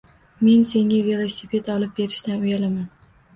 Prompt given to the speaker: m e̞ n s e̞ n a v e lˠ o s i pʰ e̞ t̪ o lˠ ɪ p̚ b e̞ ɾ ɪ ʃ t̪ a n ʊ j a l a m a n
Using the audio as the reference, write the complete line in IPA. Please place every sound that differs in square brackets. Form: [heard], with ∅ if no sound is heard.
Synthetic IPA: m e̞ n s e̞ [ŋ] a v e lˠ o s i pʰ e̞ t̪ [ɒ] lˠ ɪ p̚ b e̞ ɾ ɪ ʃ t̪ a n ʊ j a l a m a n